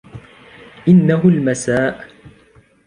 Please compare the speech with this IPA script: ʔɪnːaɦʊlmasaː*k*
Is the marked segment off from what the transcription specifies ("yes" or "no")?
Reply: yes